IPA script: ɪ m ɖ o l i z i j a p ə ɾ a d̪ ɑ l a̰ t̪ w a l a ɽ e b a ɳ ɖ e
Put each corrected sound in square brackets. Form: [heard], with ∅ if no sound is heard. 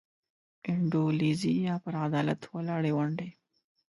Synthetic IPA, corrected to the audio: ɪ [ɳ] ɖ o l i z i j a p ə ɾ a d̪ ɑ l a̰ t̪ w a l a ɽ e [w] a ɳ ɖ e